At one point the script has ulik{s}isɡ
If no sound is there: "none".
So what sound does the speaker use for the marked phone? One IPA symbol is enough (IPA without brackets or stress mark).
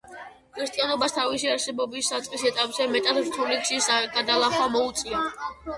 ʃ